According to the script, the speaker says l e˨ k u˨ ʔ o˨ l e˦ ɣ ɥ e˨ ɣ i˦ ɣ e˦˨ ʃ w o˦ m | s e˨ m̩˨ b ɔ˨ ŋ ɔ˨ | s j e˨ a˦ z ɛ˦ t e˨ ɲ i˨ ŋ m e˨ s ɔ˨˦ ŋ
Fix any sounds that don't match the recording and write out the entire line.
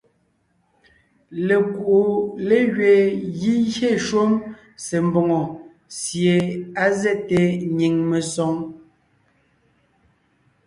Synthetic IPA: l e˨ k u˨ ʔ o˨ l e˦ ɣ ɥ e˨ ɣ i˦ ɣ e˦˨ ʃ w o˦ m | s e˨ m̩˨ b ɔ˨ ŋ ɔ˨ | s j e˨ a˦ z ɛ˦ t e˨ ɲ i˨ ŋ m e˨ s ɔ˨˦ ŋ